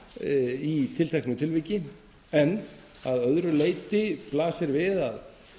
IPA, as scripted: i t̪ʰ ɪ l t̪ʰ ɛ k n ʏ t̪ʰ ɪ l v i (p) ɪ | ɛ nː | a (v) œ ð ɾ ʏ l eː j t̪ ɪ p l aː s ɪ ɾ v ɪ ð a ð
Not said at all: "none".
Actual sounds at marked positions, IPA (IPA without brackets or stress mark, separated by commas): c, ð